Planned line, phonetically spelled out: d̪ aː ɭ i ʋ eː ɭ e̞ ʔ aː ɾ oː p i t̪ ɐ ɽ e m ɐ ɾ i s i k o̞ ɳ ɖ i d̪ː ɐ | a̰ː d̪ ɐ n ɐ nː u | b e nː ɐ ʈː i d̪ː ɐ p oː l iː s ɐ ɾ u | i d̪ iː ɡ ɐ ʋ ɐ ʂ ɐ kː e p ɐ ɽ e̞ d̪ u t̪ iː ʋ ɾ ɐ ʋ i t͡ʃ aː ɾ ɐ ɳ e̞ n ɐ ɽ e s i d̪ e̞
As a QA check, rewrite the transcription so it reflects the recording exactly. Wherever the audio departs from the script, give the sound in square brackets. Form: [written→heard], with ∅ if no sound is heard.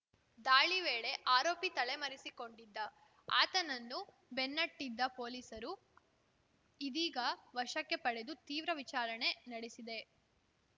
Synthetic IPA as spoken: d̪ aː ɭ i ʋ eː ɭ e̞ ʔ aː ɾ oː p i t̪ ɐ [ɽ→ɭ] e m ɐ ɾ i s i k o̞ ɳ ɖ i d̪ː ɐ | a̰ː [d̪→t̪] ɐ n ɐ nː u | b e nː ɐ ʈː i d̪ː ɐ p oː l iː s ɐ ɾ u | i d̪ iː ɡ ɐ ʋ ɐ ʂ ɐ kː e p ɐ ɽ e̞ d̪ u t̪ iː ʋ ɾ ɐ ʋ i t͡ʃ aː ɾ ɐ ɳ e̞ n ɐ ɽ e s i d̪ e̞